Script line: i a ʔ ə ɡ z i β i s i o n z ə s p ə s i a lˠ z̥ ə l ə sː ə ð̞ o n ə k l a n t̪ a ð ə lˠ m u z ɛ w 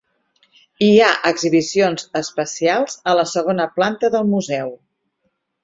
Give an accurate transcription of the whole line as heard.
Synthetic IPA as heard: i a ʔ ə ɡ z i β i s i o n z ə s p ə s i a lˠ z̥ ə l ə s ə ɣ̞ o n ə p l a n t̪ ə ð ə lˠ m u z ɛ w